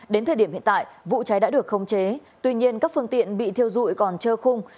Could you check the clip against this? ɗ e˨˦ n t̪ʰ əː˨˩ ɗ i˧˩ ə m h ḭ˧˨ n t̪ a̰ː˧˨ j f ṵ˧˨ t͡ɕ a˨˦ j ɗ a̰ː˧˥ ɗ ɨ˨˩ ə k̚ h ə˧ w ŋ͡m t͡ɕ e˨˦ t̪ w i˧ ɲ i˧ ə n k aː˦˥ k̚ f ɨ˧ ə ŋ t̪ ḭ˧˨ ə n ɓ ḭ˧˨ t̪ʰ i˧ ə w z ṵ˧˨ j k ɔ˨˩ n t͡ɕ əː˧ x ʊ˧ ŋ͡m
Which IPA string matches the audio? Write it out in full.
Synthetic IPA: ɗ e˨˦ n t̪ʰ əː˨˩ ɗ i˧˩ ə m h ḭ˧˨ n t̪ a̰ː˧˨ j v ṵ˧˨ t͡ɕ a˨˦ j ɗ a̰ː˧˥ ɗ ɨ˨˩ ə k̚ x ə˧ w ŋ͡m t͡ɕ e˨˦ t̪ w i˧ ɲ i˧ ə n k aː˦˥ k̚ f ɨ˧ ə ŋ t̪ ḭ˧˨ ə n ɓ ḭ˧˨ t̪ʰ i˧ ə w z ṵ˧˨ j k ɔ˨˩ n t͡ɕ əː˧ x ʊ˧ ŋ͡m